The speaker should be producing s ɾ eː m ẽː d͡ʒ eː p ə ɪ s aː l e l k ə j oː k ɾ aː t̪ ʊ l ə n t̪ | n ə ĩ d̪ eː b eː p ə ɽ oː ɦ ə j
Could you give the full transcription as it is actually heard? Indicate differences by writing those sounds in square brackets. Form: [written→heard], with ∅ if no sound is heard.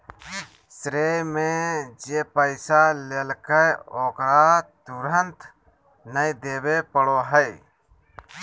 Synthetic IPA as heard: s ɾ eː m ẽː d͡ʒ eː p ə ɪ s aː l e l k ə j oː k ɾ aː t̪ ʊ [l→ɾ] ə n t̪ | n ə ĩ d̪ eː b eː p ə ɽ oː ɦ ə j

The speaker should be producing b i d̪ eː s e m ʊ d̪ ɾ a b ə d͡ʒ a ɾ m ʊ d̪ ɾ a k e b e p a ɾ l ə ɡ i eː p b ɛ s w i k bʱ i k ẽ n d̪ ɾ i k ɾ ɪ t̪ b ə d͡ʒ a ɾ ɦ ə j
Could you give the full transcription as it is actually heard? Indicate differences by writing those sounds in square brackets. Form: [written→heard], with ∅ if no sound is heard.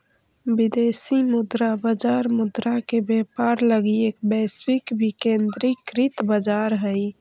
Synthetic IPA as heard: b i d̪ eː s [e→i] m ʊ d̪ ɾ a b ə d͡ʒ a ɾ m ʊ d̪ ɾ a k e b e p a ɾ l ə ɡ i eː [p→k] b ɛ s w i k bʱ i k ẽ n d̪ ɾ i k ɾ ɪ t̪ b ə d͡ʒ a ɾ ɦ ə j

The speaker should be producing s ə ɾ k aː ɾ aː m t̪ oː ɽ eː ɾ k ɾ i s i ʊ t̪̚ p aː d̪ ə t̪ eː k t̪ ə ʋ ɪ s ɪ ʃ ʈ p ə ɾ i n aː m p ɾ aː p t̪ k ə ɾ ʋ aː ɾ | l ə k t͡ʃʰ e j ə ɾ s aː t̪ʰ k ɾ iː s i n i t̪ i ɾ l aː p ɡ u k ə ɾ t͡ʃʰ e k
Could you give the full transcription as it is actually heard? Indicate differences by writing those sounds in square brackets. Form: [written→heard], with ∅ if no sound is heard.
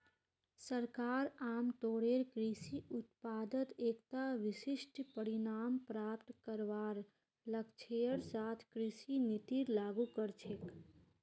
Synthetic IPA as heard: s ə ɾ k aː ɾ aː m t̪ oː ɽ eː ɾ k ɾ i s i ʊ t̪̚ p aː d̪ ə t̪ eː k t̪ [ə→a] ʋ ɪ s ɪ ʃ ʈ p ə ɾ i n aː m p ɾ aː p t̪ k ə ɾ ʋ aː ɾ | l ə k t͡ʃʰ e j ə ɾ s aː t̪ʰ k ɾ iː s i n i t̪ i ɾ l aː [p→∅] ɡ u k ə ɾ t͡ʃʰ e k

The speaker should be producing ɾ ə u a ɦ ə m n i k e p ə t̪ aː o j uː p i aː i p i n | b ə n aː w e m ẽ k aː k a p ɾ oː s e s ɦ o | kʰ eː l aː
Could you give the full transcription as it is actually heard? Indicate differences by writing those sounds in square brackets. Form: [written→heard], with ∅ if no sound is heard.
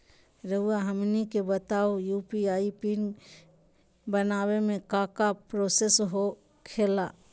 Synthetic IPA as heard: ɾ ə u a ɦ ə m n i k e [p→b] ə t̪ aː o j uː p i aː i p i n | b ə n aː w e m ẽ k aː k a p ɾ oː s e s ɦ o | kʰ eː l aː

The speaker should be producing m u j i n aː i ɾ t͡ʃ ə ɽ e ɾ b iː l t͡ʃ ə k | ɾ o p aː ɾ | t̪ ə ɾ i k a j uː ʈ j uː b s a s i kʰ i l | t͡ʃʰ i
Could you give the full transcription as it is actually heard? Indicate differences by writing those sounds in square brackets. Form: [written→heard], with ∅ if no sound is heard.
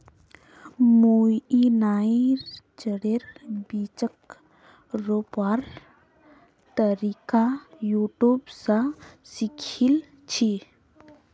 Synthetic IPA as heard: m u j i n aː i ɾ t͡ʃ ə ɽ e ɾ b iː [l→∅] t͡ʃ ə k | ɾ o p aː ɾ | t̪ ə ɾ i k a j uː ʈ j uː b s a s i kʰ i l | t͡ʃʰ i

